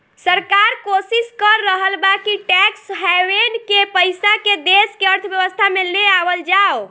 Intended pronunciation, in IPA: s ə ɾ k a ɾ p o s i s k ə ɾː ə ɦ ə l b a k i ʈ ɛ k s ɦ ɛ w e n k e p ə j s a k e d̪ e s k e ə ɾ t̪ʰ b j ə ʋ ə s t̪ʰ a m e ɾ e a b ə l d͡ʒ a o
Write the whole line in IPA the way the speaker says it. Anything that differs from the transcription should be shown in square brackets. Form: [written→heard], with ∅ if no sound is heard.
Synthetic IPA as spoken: s ə ɾ k a ɾ [p→k] o s i s k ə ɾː ə ɦ ə l b a k i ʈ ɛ k s ɦ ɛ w e n k e p ə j s a k e d̪ e s k e ə ɾ t̪ʰ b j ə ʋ ə s t̪ʰ a m e [ɾ→l] e a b ə l d͡ʒ a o